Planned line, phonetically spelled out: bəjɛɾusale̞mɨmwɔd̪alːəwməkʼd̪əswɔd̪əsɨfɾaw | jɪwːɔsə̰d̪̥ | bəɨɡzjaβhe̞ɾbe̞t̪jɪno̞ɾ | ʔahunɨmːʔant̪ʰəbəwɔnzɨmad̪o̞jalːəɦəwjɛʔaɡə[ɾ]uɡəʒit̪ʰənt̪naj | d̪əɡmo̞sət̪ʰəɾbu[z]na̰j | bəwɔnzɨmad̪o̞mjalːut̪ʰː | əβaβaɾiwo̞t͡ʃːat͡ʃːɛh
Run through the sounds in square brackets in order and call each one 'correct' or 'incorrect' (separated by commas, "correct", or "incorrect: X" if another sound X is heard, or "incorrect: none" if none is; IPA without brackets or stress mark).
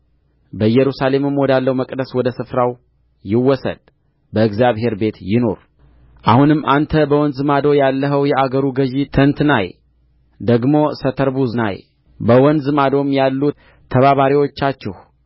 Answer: correct, correct